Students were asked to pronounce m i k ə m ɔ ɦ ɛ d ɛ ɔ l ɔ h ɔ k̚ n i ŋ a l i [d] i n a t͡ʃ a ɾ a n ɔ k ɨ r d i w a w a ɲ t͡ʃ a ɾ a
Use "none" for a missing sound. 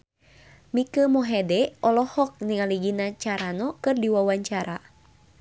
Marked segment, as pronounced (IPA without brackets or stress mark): ɡ